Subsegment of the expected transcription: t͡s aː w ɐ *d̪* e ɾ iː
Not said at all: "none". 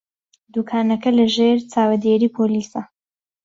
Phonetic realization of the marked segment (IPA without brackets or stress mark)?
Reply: d̪